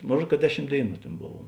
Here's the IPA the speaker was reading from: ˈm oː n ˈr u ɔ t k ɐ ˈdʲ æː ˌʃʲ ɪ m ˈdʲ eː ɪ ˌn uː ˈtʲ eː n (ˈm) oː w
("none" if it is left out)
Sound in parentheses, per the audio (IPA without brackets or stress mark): b